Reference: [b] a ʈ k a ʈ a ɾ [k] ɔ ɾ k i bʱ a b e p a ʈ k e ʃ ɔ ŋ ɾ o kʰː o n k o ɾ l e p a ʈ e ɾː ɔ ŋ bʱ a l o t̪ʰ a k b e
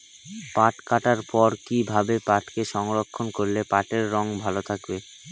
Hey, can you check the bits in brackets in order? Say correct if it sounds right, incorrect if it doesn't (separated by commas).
incorrect, incorrect